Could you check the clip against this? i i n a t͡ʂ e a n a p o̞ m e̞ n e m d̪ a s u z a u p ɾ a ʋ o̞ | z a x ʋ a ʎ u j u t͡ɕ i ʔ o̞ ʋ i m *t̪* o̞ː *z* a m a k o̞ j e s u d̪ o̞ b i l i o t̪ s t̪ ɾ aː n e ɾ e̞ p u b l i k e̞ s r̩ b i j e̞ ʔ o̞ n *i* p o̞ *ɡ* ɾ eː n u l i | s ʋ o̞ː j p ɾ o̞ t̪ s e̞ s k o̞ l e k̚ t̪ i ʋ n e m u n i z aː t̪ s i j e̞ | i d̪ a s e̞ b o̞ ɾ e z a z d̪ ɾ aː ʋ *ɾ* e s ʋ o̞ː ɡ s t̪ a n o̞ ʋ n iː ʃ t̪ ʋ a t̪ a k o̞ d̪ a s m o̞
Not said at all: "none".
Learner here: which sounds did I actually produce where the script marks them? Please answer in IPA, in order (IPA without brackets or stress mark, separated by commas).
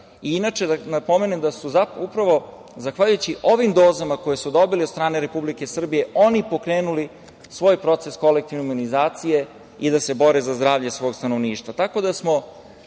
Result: d̪, z, i, k, ʎ